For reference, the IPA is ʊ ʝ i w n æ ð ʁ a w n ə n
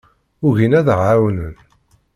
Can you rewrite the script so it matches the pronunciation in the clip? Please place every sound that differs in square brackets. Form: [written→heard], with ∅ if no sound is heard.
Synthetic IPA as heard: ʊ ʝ i [w→∅] n æ ð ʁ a w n ə n